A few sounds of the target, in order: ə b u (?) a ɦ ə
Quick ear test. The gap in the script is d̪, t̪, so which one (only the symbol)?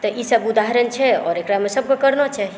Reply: d̪